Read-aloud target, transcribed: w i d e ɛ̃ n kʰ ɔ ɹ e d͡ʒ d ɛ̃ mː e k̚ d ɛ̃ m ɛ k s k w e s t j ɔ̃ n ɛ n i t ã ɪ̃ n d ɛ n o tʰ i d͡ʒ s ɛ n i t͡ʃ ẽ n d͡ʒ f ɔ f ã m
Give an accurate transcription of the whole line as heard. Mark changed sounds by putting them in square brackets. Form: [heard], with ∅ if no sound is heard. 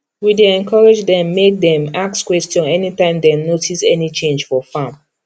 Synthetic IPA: w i d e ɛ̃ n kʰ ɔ ɹ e d͡ʒ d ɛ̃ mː e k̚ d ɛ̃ m [a] k s k w [ɛ] s t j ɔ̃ n ɛ n i t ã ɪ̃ [m] d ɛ n o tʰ i [∅] s ɛ n i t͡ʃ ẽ n d͡ʒ f ɔ f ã m